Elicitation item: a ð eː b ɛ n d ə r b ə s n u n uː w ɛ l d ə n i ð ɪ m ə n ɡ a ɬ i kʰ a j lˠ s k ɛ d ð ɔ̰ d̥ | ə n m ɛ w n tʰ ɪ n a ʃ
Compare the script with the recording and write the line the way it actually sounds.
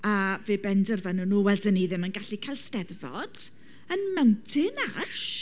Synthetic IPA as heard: a v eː b ɛ n d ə r v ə n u n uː w ɛ l d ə n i ð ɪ m ə n ɡ a ɬ i kʰ a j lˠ s t ɛ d v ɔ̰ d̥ | ə n m ɛ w n tʰ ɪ n a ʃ